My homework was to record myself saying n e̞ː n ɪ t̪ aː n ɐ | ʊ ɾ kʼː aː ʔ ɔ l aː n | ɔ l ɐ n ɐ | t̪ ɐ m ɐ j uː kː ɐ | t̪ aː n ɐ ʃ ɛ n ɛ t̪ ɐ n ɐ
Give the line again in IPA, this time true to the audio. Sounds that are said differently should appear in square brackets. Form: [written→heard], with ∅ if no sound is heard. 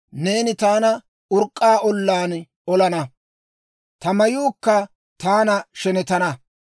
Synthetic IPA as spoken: n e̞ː n ɪ t̪ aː n ɐ | ʊ ɾ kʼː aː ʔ ɔ [l→lː] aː n | ɔ l ɐ n ɐ | t̪ ɐ m ɐ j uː kː ɐ | t̪ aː n ɐ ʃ ɛ n ɛ t̪ ɐ n ɐ